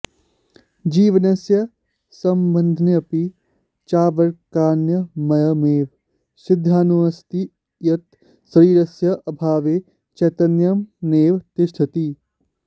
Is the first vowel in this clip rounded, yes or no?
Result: no